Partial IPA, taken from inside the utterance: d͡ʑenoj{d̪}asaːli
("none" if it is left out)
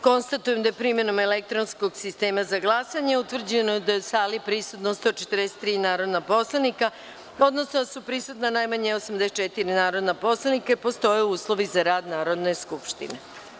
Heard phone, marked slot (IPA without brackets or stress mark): d̪